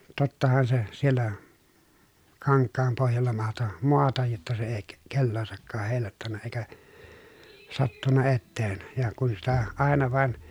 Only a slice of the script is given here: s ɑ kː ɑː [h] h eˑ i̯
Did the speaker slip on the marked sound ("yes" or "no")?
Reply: no